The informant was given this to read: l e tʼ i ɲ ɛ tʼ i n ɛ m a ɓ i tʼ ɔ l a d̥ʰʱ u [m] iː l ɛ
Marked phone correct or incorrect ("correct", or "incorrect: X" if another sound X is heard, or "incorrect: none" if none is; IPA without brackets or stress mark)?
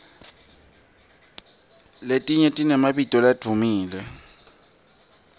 correct